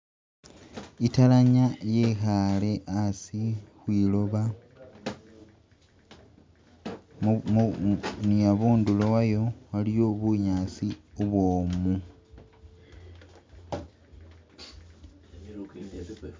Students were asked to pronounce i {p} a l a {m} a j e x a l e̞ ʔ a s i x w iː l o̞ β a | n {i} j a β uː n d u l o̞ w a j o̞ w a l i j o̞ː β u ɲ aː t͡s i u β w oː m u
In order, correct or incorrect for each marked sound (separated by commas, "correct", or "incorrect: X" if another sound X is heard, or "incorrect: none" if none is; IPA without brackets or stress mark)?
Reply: incorrect: t, incorrect: ɲ, correct